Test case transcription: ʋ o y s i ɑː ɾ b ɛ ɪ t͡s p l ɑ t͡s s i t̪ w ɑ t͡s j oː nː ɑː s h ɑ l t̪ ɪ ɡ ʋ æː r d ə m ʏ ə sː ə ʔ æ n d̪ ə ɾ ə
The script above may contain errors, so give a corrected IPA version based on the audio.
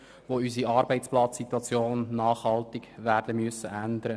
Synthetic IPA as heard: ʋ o y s i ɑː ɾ b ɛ ɪ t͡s p l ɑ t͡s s i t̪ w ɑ t͡s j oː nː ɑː χ h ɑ l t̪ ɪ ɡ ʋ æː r d ə m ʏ ə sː ə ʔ æ n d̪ ə ɾ ə